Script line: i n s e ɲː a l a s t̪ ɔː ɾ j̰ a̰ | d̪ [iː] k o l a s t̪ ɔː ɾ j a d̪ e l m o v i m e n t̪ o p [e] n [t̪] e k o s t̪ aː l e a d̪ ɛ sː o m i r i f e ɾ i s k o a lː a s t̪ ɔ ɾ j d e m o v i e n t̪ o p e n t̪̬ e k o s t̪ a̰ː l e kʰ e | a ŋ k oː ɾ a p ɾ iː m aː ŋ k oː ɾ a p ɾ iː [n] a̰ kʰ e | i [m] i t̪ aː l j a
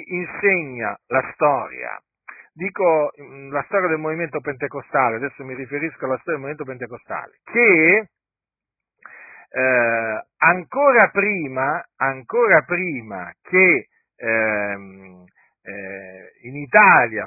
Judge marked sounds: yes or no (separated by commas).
yes, yes, yes, no, no